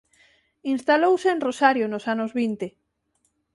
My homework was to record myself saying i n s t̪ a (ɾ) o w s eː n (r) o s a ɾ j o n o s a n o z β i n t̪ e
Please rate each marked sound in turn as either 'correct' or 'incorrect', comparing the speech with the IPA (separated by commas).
incorrect, correct